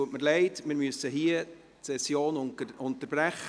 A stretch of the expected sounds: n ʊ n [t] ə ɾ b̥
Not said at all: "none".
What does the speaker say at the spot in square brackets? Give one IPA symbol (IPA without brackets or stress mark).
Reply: t